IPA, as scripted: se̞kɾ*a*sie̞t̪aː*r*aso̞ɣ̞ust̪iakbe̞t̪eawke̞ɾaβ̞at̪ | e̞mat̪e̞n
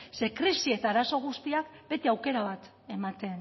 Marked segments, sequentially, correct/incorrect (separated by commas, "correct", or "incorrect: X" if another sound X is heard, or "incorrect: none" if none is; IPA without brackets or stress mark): incorrect: i, incorrect: ɾ